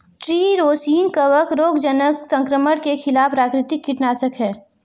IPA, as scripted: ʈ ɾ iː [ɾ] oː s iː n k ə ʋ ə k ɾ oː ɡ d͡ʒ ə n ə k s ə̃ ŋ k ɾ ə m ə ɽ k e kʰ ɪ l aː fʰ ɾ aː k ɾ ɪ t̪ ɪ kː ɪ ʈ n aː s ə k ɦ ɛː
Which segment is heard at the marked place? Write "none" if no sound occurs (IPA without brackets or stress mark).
ɾ